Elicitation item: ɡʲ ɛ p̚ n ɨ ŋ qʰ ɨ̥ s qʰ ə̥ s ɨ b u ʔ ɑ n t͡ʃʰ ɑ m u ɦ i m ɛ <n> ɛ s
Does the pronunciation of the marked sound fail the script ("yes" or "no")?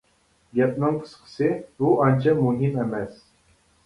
yes